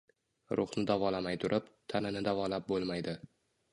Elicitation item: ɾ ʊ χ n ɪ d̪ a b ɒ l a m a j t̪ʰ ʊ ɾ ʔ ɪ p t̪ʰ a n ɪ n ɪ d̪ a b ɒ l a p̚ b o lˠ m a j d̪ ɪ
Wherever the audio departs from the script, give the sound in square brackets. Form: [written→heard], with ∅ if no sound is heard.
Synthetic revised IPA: ɾ ʊ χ n ɪ d̪ a [b→v] ɒ l a m a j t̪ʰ ʊ ɾ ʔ ɪ p t̪ʰ a n ɪ n ɪ d̪ a [b→v] ɒ l a p̚ b o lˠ m a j d̪ ɪ